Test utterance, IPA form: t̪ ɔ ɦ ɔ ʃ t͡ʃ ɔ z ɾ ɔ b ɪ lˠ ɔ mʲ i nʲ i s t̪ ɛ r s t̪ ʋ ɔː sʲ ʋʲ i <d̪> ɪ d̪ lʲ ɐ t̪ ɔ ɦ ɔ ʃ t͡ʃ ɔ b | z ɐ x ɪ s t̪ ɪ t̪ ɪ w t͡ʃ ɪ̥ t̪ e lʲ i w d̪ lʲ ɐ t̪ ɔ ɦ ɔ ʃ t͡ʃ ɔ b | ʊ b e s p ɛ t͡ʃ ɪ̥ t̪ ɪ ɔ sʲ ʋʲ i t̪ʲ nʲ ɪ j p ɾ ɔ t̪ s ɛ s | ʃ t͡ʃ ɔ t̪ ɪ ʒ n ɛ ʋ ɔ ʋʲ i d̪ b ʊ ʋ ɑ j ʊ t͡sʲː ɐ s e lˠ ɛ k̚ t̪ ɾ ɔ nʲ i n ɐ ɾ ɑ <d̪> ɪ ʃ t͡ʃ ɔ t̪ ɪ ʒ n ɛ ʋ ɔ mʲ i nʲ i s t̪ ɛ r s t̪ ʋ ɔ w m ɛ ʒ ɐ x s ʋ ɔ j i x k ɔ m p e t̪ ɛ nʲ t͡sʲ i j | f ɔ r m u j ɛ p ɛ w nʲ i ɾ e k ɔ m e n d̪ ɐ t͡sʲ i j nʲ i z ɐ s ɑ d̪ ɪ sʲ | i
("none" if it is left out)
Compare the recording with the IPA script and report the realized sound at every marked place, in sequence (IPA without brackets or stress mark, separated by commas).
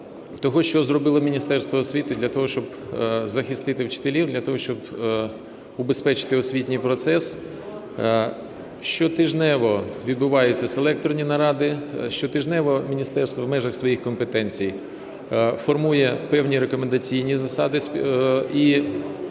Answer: t̪, d̪